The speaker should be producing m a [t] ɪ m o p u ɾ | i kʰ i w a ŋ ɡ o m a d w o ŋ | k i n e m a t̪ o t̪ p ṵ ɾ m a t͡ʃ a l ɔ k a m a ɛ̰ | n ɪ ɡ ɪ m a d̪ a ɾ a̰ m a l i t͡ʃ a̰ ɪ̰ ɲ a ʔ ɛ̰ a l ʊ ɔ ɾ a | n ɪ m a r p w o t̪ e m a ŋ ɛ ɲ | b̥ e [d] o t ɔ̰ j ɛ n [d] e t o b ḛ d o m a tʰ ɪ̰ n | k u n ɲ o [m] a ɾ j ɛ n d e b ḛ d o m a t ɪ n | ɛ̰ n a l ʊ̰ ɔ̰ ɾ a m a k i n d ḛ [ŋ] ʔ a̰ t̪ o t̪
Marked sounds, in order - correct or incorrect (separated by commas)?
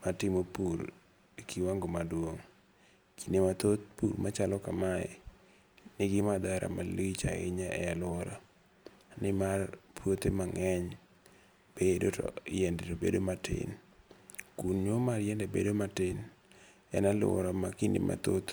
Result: correct, correct, correct, correct, incorrect